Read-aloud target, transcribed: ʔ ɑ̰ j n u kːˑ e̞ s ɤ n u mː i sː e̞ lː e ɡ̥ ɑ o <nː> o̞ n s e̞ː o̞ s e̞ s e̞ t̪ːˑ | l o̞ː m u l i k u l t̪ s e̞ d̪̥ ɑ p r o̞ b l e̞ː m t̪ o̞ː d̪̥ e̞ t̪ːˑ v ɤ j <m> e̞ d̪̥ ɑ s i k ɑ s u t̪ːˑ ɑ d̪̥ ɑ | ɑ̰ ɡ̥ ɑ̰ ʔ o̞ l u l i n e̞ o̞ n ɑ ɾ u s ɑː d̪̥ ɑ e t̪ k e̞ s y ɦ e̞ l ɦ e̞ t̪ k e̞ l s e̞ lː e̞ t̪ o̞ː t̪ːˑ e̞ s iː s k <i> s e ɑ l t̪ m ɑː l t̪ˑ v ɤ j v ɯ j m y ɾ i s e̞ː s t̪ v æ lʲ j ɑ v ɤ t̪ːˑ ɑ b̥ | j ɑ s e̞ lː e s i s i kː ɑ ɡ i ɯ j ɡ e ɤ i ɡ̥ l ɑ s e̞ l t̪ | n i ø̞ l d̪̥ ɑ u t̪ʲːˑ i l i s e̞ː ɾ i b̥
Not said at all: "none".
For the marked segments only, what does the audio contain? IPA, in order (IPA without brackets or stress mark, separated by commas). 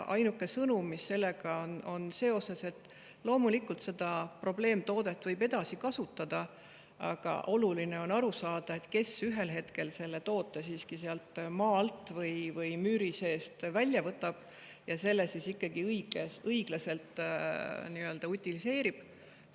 n, b, i